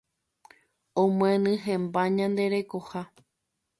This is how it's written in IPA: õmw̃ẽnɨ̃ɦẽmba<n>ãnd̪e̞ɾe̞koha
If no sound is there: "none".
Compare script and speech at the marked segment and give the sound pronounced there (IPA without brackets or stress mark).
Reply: ɲ